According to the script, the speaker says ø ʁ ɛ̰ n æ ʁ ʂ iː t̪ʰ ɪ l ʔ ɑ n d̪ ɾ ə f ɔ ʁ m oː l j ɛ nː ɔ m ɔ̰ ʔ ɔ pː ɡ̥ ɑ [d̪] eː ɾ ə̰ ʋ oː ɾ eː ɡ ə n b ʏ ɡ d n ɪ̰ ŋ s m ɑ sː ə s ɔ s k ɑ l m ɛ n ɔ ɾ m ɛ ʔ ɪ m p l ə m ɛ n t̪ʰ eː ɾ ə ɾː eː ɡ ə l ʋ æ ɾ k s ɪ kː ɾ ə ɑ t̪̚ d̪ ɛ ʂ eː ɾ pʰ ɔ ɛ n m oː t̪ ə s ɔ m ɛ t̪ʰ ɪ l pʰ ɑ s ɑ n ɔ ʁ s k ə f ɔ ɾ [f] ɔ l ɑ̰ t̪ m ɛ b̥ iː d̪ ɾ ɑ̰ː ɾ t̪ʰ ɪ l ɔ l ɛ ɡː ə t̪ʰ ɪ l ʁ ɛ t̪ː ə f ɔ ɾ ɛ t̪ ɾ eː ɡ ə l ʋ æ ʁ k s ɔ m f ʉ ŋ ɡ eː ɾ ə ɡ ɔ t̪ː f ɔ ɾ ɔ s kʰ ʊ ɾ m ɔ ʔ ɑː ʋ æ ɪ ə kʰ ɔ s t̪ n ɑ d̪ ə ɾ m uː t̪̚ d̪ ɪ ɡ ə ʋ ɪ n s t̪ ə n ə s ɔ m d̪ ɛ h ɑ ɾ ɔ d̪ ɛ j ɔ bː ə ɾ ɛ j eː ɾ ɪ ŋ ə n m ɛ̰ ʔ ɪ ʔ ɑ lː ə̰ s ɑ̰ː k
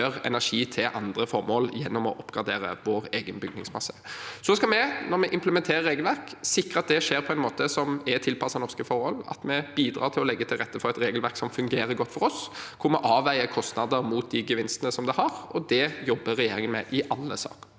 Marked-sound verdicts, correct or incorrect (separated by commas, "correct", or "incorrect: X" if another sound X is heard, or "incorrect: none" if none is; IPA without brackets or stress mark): correct, incorrect: h